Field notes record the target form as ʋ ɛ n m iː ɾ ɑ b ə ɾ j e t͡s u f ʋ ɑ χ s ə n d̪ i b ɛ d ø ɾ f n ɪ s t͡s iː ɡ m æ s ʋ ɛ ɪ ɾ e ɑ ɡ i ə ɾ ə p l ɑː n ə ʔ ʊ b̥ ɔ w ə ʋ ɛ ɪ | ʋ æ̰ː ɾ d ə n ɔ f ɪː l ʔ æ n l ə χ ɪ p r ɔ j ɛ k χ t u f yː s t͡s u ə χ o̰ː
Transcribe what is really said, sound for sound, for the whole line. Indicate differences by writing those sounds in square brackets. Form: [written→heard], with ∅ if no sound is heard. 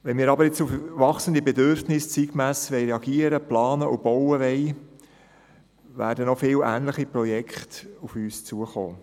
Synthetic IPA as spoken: ʋ ɛ n m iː ɾ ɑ b ə ɾ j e t͡s u f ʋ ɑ χ s ə n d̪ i b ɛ d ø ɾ f n ɪ s t͡s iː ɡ m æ s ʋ ɛ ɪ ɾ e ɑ ɡ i ə ɾ ə p l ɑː n ə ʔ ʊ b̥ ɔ w ə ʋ ɛ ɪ | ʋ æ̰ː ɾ d ə n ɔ f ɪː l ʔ [æ→æː] n l ə χ [ɪ→i] p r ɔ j ɛ k χ t u f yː s t͡s u ə χ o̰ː